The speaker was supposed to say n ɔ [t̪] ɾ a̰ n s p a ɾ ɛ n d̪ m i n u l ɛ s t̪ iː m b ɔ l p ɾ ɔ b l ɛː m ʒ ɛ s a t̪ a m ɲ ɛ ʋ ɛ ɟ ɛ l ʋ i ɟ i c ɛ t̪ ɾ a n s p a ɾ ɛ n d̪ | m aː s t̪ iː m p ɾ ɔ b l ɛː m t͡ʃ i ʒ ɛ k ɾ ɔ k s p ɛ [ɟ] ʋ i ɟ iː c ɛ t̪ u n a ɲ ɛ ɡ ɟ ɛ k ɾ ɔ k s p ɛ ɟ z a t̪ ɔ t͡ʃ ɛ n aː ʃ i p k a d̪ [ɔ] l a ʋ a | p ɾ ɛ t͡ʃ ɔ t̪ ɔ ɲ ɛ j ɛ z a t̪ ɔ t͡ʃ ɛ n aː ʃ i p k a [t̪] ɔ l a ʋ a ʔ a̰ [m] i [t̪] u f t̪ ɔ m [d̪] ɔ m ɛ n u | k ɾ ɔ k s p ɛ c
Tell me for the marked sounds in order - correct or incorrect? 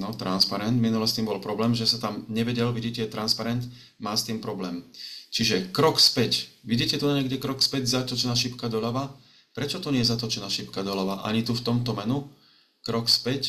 correct, incorrect, correct, incorrect, incorrect, correct, incorrect

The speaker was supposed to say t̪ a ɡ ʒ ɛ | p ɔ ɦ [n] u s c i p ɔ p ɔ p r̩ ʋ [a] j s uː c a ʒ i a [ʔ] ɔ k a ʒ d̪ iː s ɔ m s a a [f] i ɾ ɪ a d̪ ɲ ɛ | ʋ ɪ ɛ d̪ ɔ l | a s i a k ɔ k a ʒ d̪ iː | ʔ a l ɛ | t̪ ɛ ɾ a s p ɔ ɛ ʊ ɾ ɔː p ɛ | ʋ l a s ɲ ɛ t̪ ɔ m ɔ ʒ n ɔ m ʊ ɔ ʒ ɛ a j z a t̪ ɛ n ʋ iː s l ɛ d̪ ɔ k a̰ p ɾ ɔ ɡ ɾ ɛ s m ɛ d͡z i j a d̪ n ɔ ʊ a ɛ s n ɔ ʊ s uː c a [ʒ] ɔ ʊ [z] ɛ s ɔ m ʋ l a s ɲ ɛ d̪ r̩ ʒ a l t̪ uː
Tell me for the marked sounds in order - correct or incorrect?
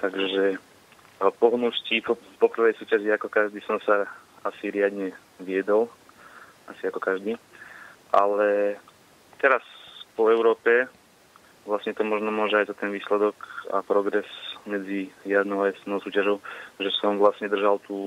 correct, incorrect, incorrect, incorrect, correct, incorrect

